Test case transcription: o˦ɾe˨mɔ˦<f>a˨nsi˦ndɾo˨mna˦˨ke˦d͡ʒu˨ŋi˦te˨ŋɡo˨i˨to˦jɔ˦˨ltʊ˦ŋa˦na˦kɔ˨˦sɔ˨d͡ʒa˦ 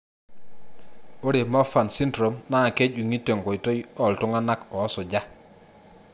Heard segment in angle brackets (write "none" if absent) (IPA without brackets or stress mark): f